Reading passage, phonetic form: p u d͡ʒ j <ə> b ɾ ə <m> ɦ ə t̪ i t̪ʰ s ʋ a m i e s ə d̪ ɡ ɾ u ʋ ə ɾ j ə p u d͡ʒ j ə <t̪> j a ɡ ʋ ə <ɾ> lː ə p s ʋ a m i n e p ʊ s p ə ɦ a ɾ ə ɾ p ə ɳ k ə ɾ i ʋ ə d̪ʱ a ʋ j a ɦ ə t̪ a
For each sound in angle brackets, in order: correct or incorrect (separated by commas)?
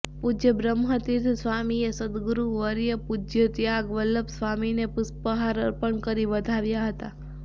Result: correct, correct, correct, incorrect